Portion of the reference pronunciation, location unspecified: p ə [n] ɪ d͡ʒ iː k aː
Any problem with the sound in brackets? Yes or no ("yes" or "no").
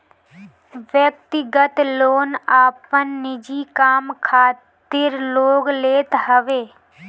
yes